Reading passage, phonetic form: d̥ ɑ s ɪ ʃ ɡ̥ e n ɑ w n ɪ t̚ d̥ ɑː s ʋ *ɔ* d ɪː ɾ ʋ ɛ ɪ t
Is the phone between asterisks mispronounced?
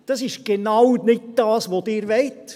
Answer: yes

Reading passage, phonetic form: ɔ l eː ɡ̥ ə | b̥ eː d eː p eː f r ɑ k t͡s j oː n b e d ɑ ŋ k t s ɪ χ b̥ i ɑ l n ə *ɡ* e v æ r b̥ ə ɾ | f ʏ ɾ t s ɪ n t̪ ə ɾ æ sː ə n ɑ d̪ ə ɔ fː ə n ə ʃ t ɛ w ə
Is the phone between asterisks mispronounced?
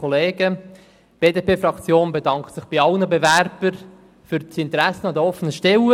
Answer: yes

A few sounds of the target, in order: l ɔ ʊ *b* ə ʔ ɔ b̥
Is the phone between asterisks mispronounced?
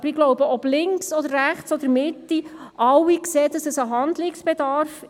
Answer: no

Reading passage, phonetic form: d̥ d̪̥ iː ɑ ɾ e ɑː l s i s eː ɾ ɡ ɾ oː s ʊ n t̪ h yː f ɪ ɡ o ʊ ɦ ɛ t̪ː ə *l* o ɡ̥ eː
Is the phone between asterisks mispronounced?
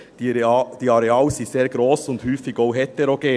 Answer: yes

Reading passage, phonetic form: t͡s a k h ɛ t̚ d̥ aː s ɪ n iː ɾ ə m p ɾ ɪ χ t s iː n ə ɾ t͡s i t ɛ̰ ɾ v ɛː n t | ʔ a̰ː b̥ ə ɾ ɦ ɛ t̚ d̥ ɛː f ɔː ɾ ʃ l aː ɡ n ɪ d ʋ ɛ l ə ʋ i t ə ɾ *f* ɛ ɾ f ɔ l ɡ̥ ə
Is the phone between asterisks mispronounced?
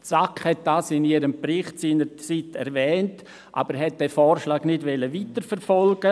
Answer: no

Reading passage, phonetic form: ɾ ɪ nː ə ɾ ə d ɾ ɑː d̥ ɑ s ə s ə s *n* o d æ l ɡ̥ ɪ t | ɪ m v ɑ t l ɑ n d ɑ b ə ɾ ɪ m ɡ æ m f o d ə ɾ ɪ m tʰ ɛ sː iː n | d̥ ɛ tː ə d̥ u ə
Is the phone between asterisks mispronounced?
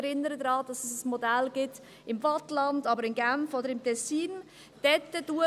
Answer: yes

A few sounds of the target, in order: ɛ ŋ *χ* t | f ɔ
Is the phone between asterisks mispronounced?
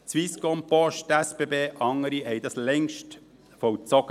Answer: yes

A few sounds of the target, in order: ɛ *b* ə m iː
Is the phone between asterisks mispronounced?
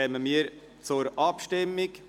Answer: yes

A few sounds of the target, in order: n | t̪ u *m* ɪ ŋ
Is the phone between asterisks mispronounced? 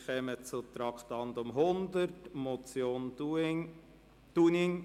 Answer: yes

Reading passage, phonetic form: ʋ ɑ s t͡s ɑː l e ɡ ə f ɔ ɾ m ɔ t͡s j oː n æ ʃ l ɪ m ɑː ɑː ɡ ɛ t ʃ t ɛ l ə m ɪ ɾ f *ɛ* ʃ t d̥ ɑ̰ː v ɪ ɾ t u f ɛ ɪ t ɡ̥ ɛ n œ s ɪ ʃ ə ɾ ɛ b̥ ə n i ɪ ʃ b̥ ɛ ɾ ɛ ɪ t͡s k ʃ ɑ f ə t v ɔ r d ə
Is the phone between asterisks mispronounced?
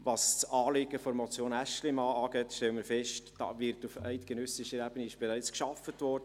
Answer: no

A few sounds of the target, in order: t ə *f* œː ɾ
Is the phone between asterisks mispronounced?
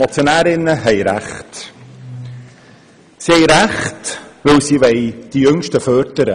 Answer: no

